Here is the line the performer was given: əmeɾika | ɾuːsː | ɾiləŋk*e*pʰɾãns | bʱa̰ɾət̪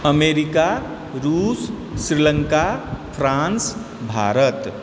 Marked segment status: incorrect: a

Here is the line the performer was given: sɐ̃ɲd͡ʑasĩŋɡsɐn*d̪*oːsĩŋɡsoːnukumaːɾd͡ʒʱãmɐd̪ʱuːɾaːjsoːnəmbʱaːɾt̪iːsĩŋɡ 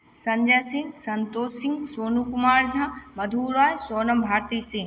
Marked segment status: incorrect: t̪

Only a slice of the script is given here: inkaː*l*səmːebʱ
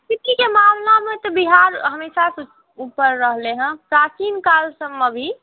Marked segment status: correct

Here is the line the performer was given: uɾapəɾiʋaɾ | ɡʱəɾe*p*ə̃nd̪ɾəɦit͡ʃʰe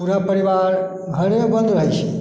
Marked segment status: incorrect: b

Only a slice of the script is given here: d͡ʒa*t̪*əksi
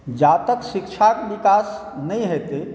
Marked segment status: correct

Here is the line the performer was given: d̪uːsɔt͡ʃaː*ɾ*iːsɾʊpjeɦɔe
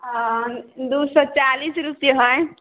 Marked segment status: incorrect: l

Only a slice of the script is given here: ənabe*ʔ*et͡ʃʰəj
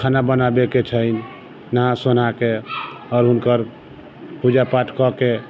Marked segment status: incorrect: k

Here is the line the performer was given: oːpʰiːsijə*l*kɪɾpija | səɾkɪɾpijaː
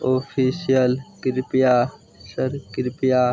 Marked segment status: correct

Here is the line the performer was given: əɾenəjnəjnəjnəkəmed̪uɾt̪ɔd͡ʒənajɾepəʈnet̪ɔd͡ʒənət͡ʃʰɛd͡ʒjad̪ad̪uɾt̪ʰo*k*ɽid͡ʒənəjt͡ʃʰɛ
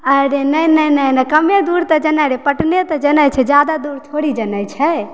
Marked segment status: incorrect: none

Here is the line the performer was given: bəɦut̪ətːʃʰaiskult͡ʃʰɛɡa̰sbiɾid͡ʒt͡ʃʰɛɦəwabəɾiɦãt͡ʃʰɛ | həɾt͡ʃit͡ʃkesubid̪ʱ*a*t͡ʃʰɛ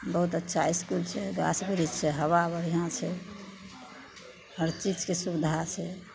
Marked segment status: correct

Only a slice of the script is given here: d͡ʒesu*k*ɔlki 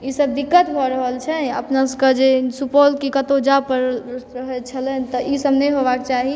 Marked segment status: incorrect: p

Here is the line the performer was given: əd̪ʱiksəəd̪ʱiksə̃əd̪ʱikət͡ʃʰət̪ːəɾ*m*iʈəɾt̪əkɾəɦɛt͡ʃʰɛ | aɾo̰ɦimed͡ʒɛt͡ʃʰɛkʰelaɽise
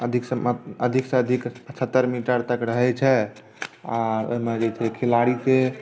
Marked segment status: correct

